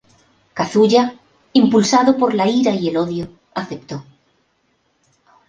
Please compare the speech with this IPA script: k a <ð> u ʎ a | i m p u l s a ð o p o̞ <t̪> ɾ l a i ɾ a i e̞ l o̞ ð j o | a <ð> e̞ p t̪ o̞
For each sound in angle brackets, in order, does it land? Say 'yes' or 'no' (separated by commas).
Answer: no, no, no